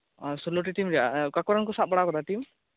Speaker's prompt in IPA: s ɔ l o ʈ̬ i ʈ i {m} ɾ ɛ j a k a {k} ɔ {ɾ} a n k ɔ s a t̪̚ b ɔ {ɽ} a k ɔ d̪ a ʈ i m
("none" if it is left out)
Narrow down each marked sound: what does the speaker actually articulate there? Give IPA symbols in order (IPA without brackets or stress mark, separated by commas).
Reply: m, k, ɾ, ɽ